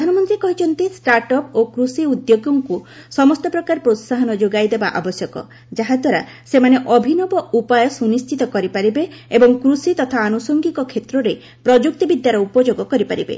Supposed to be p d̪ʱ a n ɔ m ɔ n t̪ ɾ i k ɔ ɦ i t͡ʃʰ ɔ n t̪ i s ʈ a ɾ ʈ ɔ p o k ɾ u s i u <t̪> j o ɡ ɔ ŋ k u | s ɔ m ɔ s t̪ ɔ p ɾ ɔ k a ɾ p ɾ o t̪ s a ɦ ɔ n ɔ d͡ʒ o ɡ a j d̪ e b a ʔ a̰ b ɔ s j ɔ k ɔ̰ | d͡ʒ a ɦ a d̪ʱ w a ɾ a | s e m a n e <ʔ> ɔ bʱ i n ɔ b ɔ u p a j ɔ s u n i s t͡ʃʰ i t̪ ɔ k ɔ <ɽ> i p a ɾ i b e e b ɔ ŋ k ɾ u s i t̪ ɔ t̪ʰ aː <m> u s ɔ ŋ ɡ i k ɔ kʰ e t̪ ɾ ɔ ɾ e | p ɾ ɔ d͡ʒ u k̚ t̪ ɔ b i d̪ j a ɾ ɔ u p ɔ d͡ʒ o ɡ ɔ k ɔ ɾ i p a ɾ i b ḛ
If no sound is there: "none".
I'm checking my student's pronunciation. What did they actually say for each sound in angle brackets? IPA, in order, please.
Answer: d̪, ʔ, ɾ, n

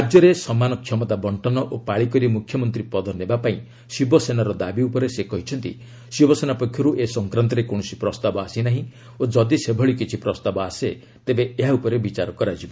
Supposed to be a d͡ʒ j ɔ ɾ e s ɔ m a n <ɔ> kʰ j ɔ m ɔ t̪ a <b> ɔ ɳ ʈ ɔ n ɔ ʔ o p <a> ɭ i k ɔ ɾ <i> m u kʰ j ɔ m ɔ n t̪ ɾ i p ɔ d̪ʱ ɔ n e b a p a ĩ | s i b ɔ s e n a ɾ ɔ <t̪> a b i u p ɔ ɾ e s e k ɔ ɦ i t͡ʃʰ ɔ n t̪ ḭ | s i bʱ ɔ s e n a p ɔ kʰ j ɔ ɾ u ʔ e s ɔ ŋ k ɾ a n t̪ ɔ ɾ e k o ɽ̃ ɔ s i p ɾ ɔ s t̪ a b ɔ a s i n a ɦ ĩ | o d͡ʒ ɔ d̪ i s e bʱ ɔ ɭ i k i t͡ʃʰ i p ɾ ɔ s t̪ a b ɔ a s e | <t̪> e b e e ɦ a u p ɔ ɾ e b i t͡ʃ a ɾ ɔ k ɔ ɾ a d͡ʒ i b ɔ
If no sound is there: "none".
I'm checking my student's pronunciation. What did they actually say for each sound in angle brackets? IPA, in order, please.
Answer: ɔ, b, a, i, d̪, t̪

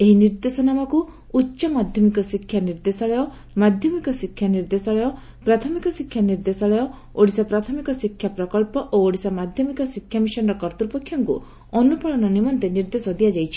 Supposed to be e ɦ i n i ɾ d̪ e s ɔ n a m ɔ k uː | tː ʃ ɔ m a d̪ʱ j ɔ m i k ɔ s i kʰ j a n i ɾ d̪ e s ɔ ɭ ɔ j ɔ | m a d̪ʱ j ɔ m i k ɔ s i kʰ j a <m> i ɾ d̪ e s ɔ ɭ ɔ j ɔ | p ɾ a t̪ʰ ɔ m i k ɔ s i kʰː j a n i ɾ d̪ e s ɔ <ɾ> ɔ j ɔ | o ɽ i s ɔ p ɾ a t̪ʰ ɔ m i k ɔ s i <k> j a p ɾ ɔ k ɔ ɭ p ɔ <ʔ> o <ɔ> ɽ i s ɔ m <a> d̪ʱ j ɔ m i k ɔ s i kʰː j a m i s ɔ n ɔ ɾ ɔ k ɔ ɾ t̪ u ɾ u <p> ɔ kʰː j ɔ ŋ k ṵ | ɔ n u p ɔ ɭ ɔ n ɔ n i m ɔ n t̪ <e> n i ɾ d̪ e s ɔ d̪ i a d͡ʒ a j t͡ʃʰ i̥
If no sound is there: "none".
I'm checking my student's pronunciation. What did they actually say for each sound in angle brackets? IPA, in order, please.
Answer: n, ɭ, kʰ, ʔ, o, a, p, e

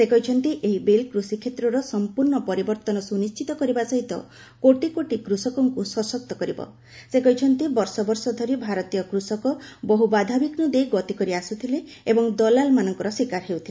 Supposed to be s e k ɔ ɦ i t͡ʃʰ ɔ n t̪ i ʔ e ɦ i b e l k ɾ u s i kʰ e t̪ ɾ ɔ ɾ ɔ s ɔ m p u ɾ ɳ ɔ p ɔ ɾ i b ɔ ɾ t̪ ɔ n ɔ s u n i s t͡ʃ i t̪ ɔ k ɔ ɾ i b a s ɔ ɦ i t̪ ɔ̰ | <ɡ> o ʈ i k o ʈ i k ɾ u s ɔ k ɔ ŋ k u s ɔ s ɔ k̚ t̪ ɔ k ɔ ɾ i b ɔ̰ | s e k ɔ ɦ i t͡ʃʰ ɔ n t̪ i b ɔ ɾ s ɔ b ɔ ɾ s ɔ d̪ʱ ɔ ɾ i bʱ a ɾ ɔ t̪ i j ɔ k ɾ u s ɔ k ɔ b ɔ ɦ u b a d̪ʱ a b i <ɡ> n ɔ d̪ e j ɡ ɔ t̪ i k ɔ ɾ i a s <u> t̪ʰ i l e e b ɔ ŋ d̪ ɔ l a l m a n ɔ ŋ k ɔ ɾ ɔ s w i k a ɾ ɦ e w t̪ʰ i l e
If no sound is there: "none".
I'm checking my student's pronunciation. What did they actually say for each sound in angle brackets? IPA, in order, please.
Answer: k, k, u

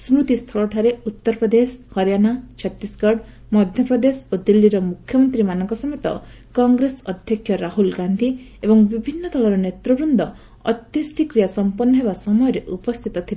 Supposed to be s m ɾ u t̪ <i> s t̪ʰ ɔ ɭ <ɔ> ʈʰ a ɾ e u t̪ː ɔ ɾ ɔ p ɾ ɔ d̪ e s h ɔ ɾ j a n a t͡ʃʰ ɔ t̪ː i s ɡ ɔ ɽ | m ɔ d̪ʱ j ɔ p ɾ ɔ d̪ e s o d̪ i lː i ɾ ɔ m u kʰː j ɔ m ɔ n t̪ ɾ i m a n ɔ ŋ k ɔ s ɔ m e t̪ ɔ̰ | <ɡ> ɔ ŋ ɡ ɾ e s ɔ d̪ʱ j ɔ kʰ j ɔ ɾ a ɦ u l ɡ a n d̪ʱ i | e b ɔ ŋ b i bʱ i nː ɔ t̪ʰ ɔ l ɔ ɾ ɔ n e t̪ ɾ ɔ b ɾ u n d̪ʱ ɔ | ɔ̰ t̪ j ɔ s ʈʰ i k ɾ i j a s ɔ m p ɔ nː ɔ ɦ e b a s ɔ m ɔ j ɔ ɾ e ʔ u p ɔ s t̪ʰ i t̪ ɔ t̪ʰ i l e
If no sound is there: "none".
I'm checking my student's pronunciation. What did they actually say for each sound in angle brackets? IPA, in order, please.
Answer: i, ɔ, k

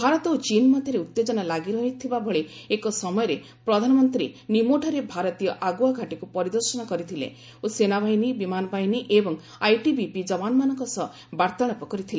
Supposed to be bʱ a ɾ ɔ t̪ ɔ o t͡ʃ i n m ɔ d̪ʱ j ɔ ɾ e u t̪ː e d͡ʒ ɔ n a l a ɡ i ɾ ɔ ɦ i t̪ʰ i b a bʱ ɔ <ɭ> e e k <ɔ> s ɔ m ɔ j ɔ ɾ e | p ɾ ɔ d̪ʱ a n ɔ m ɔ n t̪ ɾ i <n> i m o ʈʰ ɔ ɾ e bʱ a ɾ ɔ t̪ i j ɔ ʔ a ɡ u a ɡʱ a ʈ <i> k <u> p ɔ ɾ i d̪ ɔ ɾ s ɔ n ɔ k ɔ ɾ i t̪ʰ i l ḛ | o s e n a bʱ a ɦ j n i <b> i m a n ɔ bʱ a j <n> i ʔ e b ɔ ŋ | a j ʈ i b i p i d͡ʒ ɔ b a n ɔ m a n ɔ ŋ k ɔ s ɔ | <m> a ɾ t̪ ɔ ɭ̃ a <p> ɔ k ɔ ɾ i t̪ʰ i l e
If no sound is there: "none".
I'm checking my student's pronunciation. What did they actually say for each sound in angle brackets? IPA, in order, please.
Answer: ɭ, ɔ, n, i, u, b, n, b, p

